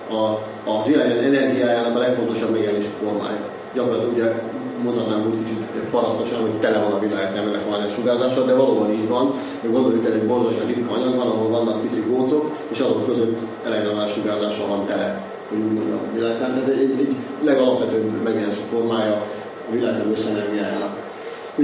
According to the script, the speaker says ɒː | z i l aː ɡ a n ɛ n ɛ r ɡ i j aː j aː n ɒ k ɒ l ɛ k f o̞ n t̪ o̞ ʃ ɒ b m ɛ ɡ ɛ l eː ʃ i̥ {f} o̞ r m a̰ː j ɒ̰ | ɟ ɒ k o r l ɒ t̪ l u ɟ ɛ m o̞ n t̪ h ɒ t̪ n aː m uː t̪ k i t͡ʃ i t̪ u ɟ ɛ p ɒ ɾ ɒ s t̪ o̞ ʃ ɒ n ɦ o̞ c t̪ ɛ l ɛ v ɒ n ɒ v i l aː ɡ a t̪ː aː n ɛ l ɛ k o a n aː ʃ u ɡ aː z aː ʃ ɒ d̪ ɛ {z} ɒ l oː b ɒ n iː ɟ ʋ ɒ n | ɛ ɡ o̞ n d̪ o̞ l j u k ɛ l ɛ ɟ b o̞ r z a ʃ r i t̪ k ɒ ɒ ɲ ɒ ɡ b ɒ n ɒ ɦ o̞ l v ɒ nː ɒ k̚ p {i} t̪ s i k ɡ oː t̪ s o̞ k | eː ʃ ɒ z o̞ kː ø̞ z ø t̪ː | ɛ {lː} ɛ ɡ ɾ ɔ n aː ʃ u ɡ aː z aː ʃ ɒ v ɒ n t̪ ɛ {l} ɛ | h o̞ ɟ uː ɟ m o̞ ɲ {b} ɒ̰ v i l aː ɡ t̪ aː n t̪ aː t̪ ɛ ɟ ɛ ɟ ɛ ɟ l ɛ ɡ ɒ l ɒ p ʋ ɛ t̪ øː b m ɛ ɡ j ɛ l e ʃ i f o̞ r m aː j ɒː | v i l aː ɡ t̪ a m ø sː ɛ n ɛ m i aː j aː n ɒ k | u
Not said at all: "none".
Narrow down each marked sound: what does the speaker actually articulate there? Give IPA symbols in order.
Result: f, v, i, l, l, ɟ

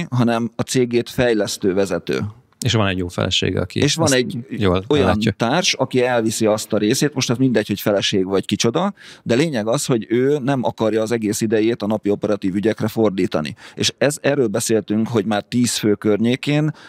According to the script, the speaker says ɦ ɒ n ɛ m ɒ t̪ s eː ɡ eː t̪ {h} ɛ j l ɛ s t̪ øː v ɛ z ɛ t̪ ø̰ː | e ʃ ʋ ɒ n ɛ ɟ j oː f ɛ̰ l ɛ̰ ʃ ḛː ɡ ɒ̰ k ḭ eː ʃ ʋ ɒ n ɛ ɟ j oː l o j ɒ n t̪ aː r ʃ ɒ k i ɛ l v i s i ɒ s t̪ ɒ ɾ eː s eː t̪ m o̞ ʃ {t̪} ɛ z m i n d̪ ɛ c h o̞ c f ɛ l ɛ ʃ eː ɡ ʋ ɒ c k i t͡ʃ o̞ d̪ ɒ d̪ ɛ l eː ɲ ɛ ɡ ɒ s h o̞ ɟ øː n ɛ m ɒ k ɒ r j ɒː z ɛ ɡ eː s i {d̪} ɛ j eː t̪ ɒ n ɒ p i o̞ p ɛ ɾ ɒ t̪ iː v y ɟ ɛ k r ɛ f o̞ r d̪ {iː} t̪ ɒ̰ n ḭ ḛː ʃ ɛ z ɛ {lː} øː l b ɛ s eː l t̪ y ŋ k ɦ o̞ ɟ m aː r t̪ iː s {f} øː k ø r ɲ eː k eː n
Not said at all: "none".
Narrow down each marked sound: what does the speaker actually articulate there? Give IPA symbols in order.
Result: f, t̪, d̪, iː, rː, f

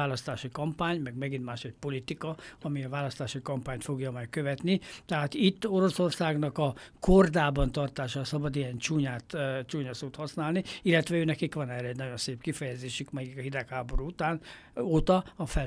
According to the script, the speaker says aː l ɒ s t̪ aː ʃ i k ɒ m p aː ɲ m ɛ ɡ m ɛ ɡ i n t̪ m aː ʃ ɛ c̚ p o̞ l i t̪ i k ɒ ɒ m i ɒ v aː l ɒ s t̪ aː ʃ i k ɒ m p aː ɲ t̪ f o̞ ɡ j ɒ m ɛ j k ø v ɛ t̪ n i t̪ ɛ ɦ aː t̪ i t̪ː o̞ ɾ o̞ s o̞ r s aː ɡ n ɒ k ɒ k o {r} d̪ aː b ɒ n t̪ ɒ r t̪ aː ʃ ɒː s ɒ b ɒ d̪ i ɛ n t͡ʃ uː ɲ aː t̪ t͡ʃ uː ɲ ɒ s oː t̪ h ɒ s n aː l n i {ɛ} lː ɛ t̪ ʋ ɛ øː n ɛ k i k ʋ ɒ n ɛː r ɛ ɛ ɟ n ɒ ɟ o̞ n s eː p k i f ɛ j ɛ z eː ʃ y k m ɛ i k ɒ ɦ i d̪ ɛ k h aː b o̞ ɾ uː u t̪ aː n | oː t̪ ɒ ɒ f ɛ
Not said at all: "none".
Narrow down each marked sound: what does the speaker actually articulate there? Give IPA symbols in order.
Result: r, i

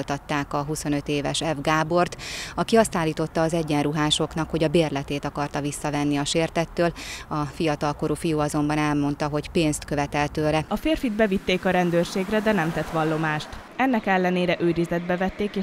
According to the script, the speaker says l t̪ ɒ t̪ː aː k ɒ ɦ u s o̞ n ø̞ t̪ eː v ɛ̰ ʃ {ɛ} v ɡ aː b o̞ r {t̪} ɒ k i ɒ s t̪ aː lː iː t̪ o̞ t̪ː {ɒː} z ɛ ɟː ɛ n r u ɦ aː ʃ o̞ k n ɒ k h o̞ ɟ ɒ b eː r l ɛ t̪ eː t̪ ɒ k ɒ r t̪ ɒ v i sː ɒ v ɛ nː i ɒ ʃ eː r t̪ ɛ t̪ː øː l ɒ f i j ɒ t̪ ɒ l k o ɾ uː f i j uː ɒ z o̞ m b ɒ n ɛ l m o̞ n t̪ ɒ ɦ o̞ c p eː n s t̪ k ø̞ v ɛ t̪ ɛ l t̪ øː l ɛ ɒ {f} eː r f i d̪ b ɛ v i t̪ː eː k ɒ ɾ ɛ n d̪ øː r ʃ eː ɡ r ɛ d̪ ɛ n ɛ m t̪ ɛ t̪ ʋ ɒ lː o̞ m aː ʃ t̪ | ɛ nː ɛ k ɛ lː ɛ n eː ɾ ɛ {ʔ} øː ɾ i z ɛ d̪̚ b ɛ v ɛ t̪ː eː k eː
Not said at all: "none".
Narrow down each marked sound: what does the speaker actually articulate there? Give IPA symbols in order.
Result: ɛ, t̪, ɒː, f, ʔ

